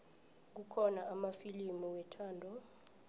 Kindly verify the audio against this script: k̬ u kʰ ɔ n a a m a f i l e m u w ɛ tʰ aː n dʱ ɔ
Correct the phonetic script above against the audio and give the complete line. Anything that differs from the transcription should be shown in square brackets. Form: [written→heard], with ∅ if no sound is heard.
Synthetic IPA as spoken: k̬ u kʰ ɔ n a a m a f i l [e→i] m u w ɛ tʰ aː n dʱ ɔ